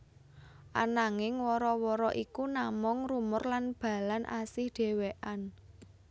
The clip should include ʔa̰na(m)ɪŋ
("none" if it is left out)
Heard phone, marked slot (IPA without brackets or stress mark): ŋ